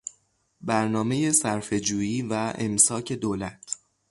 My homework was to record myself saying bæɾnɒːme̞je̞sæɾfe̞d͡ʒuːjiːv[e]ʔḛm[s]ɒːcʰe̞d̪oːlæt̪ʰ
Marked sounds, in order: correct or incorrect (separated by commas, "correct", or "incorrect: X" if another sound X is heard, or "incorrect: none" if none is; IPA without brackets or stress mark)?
incorrect: æ, correct